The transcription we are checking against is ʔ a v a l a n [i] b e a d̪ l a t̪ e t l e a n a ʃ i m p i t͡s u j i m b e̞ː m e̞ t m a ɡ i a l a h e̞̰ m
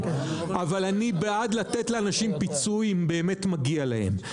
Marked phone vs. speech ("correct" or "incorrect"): correct